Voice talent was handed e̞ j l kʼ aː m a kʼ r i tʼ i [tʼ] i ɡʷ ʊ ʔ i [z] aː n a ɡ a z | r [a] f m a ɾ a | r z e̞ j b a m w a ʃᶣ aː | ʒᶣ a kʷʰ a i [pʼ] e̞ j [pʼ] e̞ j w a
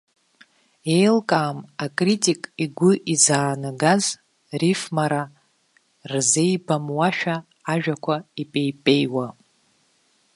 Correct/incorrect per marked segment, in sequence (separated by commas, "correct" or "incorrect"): incorrect, correct, incorrect, correct, correct